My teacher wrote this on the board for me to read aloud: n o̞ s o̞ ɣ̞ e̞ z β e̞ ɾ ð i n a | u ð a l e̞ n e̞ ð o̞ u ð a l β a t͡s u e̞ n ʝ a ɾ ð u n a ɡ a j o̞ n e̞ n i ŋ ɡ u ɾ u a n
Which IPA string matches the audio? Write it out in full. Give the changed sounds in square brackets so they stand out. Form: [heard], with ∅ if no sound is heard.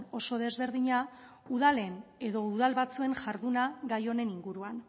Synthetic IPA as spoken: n o̞ s o̞ [ð̞] e̞ z β e̞ ɾ ð i [ɲ] a | u ð a l e̞ n e̞ ð o̞ u ð a l β a t͡s u e̞ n ʝ a ɾ ð u n a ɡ a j o̞ n e̞ n i ŋ ɡ u ɾ u a n